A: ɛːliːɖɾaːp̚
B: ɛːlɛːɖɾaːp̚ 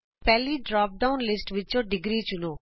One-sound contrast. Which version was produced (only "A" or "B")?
A